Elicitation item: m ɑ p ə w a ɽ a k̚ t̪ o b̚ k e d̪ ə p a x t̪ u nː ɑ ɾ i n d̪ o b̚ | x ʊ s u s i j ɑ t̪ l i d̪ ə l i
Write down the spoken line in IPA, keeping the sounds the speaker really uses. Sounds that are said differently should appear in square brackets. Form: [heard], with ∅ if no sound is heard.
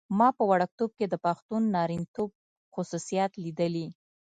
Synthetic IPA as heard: m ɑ p ə w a ɽ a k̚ t̪ o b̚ k e d̪ ə p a x t̪ u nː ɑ ɾ i n [t̪] o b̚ | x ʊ s u s i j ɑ t̪ l i d̪ ə l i